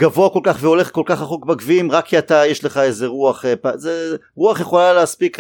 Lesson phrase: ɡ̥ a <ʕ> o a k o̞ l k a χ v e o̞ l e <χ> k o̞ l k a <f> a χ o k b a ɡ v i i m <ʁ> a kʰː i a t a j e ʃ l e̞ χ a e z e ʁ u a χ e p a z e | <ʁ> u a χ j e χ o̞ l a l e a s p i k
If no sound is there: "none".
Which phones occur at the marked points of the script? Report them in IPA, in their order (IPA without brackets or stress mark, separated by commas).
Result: v, χ, χ, ʁ, ʁ